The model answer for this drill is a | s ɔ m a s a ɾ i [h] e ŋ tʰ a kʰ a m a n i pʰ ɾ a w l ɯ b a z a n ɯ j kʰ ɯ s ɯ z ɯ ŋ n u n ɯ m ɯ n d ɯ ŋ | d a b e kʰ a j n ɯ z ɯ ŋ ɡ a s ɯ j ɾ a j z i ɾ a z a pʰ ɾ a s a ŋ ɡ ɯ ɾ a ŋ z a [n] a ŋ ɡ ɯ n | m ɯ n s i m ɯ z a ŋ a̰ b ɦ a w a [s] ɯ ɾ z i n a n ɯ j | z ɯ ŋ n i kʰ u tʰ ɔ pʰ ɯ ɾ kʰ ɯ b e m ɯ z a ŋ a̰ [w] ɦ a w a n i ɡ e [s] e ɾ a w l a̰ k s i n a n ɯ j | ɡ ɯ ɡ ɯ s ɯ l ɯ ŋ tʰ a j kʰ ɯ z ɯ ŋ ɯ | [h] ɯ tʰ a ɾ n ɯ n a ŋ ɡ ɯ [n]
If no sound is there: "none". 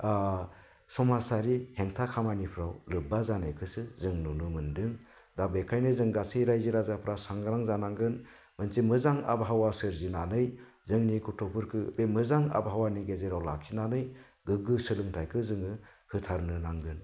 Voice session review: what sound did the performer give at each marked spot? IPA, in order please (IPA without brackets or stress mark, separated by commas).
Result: h, n, s, b, z, h, n